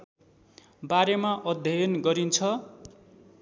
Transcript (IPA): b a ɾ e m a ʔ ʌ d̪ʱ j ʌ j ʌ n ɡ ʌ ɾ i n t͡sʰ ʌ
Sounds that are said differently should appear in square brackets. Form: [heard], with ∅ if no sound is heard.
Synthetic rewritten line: b a ɾ e m a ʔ ʌ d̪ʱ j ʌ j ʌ n ɡ ʌ ɾ i n t͡sʰ ʌ

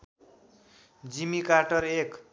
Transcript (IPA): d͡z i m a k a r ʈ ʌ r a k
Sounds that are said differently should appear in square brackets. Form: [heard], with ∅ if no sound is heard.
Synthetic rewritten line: d͡z i m [i] k a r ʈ ʌ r [e] k

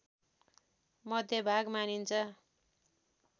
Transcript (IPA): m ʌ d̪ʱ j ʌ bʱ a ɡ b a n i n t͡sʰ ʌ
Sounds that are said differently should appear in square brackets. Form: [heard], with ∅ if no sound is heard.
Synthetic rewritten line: m ʌ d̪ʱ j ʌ bʱ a ɡ [m] a n i n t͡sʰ ʌ

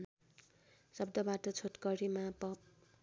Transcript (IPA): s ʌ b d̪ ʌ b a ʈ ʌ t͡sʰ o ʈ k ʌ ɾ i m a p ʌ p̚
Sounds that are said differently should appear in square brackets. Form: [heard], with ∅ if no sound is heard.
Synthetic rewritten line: s ʌ b d̪ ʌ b a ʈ ʌ t͡sʰ o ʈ k ʌ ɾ i m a p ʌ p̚

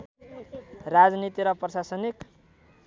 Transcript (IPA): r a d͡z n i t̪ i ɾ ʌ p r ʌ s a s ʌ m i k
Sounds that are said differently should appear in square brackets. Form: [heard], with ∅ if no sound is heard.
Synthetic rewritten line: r a d͡z n i t̪ i ɾ ʌ p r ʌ s a s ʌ [n] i k

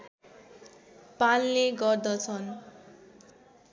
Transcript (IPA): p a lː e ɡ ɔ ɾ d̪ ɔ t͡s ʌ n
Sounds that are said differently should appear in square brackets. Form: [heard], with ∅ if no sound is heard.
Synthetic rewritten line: p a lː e ɡ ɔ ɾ d̪ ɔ [t͡sʰ] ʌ n

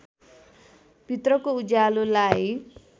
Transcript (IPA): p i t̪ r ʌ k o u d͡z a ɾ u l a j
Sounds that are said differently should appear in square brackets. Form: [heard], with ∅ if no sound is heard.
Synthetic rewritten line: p i t̪ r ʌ k o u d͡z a [l] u l a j

